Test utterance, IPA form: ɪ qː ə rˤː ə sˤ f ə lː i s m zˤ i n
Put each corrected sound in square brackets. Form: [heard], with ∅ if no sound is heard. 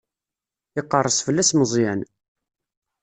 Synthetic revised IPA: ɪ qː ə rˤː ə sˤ f ə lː [æ] s m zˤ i n